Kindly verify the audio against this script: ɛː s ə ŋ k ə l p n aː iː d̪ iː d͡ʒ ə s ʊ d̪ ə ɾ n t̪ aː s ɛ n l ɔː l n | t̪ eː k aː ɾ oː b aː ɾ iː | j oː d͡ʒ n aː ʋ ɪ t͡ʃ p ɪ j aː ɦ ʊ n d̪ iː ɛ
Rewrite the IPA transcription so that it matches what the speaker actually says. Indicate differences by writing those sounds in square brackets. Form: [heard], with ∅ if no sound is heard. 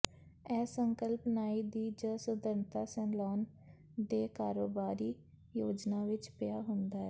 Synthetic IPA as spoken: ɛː s ə ŋ k ə l p n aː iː d̪ iː d͡ʒ ə s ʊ d̪ ə ɾ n t̪ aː s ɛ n l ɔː [∅] n | [d̪] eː k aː ɾ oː b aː ɾ iː | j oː d͡ʒ n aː ʋ ɪ t͡ʃ p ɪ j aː ɦ ʊ n d̪ [aː] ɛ